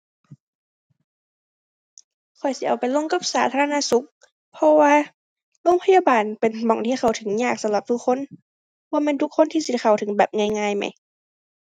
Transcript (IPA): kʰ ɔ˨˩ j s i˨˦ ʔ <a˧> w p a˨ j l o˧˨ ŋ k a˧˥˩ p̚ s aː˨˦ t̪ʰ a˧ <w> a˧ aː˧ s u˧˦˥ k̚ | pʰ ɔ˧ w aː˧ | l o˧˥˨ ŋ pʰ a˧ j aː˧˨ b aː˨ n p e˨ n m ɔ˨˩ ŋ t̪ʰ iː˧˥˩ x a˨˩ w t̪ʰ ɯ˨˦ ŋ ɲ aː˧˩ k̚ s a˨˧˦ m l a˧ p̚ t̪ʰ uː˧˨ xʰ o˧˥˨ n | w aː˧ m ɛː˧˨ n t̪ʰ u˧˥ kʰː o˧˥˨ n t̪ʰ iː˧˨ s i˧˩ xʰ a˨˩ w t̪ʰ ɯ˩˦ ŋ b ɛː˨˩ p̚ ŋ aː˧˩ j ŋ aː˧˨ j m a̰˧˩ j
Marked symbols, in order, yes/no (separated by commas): no, no